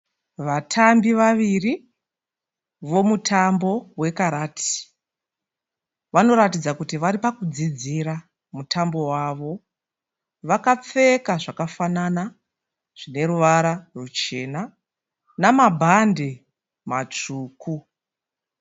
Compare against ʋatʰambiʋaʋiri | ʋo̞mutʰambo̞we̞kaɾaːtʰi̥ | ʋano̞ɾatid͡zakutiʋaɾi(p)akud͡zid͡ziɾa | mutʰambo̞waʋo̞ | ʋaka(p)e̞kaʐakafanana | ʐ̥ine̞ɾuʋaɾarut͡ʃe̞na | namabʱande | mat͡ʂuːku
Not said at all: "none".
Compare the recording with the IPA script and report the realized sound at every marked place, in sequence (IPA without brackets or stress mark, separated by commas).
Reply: p, p͡f